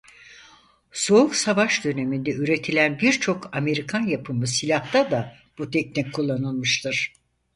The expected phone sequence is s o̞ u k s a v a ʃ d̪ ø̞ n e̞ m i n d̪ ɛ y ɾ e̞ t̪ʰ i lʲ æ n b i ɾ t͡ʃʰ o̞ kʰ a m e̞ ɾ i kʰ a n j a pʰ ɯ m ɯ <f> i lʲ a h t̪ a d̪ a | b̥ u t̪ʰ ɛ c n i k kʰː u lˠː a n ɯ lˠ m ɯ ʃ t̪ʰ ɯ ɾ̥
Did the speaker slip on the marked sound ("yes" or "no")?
yes